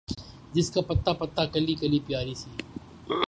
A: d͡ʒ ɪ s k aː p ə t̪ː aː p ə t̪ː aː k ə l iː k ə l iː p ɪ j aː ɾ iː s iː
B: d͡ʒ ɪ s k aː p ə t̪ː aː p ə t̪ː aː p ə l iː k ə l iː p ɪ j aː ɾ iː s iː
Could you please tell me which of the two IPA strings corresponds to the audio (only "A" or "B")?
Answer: A